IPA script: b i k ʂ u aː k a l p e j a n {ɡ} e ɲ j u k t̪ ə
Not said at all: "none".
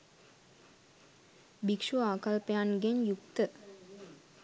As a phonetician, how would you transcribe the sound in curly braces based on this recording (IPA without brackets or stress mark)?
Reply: ɡ